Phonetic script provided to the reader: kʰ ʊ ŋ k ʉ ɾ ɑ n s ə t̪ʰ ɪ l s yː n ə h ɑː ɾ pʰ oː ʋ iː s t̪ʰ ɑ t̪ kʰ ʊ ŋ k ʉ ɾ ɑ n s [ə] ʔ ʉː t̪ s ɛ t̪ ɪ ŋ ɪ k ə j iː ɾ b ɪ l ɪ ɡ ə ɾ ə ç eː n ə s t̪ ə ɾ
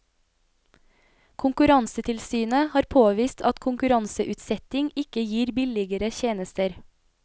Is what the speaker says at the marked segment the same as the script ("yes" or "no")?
yes